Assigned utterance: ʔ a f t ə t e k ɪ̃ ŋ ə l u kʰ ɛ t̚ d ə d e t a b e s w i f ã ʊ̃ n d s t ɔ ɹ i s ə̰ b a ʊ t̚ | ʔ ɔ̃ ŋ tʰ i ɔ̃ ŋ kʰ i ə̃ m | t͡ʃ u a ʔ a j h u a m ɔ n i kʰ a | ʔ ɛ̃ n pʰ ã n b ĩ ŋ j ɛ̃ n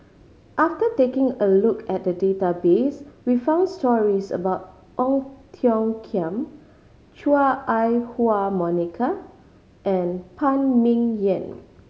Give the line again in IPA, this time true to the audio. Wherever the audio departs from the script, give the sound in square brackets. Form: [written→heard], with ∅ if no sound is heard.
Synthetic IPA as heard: ʔ a f t ə t e k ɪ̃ ŋ ə l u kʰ ɛ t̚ d ə d e t a b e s w i f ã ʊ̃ n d s t ɔ ɹ i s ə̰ b a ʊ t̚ | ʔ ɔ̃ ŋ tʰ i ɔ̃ ŋ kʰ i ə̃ m | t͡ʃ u a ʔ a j h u a m ɔ n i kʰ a | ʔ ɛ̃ n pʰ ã n [b→m] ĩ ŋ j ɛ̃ n